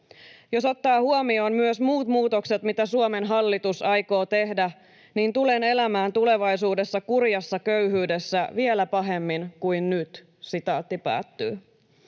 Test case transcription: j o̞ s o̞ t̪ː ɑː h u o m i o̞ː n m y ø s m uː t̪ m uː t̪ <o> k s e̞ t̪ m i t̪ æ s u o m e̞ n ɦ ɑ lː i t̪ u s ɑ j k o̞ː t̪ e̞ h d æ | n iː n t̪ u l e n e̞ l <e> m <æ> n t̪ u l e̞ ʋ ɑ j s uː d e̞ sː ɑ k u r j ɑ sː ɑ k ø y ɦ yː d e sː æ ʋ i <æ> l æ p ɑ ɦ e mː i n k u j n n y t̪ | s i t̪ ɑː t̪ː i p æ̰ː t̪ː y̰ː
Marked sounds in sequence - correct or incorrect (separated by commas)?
correct, incorrect, incorrect, incorrect